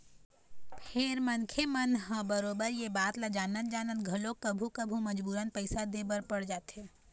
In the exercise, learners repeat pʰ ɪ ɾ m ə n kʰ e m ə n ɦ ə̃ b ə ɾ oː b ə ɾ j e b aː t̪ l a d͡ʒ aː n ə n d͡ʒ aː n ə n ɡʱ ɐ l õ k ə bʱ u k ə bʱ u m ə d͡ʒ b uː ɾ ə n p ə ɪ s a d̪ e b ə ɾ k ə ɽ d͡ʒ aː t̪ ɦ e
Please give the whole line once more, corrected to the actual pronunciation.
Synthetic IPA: pʰ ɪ ɾ m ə n kʰ e m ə n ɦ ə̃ b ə ɾ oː b ə ɾ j e b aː t̪ l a d͡ʒ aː n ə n d͡ʒ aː n ə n ɡʱ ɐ l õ k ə bʱ u k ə bʱ u m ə d͡ʒ b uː ɾ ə n p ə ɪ s a d̪ e b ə ɾ p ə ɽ d͡ʒ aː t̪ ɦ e